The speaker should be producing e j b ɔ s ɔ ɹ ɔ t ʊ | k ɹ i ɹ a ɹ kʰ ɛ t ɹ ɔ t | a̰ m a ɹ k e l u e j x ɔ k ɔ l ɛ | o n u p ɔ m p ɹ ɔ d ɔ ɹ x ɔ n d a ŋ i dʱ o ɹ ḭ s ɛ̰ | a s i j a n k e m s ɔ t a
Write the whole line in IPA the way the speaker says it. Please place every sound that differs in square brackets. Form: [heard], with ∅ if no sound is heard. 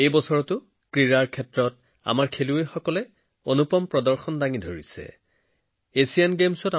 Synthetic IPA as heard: e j b ɔ s ɔ ɹ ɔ t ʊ | k ɹ i ɹ a ɹ kʰ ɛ t ɹ ɔ t | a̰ m a ɹ [kʰ] e l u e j x ɔ k ɔ l ɛ | o n u p ɔ m p ɹ ɔ d ɔ ɹ x ɔ n d a ŋ i dʱ o ɹ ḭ s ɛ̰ | [e] s i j a n [ɡ] e m s ɔ t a